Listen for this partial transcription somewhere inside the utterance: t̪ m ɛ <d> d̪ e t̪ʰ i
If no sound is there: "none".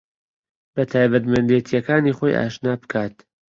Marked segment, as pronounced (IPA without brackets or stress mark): n